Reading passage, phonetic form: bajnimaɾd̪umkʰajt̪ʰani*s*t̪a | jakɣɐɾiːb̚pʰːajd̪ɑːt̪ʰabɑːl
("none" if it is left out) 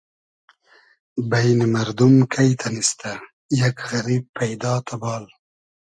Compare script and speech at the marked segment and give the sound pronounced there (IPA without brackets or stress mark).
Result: s